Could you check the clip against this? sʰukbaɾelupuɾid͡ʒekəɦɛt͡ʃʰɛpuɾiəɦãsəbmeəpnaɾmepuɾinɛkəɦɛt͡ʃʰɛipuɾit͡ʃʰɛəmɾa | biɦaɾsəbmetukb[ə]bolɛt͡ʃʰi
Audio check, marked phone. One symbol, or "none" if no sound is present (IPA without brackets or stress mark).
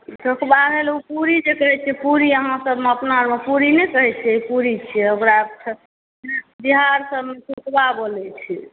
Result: a